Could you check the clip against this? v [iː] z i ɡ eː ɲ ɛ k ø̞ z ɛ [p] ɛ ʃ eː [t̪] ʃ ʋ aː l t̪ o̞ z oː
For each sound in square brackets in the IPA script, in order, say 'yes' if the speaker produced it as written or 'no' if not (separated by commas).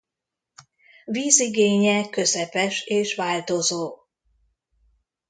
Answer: yes, yes, no